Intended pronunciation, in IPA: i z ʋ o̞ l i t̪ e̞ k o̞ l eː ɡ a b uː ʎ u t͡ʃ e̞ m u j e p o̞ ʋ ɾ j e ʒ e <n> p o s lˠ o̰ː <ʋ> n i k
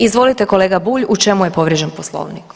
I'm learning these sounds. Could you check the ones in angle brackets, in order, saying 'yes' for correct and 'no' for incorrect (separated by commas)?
yes, yes